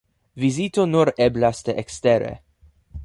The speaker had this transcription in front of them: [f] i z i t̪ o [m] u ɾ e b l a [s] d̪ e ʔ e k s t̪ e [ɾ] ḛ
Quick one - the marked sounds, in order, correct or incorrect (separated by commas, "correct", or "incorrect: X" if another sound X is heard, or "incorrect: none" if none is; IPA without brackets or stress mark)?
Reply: incorrect: v, incorrect: n, correct, correct